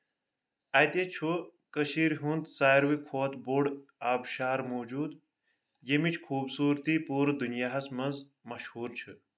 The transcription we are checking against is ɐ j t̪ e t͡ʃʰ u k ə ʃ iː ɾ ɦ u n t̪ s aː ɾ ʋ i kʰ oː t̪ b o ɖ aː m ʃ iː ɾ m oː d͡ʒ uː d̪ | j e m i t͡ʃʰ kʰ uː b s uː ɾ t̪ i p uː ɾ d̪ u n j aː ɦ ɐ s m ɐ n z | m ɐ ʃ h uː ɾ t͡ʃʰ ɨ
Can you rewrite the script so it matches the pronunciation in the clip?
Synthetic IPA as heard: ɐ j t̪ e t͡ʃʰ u k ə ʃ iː ɾ ɦ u n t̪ s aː ɾ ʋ i kʰ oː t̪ b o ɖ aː b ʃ aː ɾ m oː d͡ʒ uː d̪ | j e m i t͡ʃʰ kʰ uː b s uː ɾ t̪ i p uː ɾ d̪ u n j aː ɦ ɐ s m ɐ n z | m ɐ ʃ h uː ɾ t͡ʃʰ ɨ